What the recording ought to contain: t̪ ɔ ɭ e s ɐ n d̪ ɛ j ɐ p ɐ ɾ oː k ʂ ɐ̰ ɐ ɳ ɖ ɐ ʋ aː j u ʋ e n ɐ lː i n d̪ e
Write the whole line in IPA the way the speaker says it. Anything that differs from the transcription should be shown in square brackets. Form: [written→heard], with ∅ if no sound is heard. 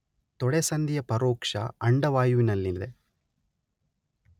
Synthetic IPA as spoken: t̪ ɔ [ɭ→ɽ] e s ɐ n d̪ [ɛ→i] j ɐ p ɐ ɾ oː k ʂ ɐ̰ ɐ ɳ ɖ ɐ ʋ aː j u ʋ [e→i] n ɐ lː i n d̪ e

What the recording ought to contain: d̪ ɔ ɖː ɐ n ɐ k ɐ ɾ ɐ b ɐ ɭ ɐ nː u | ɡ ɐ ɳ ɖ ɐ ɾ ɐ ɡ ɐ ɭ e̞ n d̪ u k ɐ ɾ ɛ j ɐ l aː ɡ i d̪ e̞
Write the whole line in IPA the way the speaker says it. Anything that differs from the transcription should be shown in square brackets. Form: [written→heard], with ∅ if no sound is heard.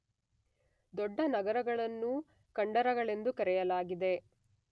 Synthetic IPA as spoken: d̪ ɔ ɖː ɐ n ɐ [k→ɡ] ɐ ɾ ɐ [b→ɡ] ɐ ɭ ɐ nː u | [ɡ→k] ɐ ɳ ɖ ɐ ɾ ɐ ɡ ɐ ɭ e̞ n d̪ u k ɐ ɾ ɛ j ɐ l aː ɡ i d̪ e̞

